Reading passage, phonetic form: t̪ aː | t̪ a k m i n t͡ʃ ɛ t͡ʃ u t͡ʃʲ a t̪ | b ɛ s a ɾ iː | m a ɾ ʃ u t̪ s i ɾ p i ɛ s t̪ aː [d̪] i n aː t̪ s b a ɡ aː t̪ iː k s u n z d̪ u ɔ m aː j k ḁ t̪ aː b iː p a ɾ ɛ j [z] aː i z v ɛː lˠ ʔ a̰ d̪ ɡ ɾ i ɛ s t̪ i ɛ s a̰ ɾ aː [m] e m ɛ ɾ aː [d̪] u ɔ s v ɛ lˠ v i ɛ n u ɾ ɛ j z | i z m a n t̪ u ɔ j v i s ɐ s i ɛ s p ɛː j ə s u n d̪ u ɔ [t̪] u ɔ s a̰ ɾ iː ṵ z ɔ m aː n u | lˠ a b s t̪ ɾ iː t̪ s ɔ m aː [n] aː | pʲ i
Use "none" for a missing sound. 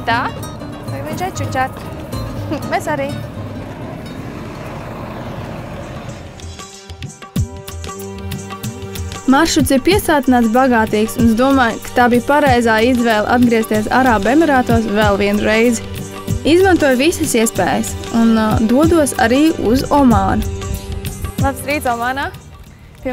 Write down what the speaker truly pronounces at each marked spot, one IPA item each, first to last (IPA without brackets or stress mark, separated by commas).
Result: t̪, z, b, t̪, d̪, n